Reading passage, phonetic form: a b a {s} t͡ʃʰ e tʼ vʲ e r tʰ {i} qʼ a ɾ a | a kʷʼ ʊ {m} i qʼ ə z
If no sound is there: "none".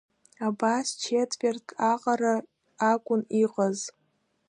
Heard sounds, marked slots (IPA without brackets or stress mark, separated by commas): s, a, n